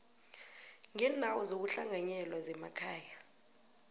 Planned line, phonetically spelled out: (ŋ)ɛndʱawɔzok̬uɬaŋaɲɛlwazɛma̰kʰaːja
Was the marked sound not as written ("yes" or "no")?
no